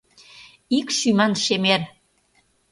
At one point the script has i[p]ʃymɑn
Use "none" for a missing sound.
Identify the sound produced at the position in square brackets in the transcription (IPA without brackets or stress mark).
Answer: k